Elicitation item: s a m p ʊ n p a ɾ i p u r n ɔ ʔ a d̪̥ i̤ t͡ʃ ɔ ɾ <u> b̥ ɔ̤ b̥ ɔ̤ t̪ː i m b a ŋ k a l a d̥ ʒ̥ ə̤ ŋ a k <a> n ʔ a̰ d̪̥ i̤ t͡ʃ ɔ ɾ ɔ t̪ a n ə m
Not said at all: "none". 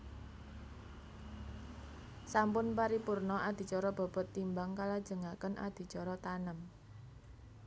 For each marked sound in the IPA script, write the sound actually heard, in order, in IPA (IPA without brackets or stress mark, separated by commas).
ɔ, ə